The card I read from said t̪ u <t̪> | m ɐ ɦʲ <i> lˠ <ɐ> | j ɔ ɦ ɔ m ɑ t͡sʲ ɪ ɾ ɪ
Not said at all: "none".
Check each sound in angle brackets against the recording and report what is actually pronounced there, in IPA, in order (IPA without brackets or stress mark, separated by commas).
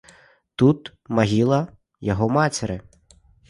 t̪, i, ɐ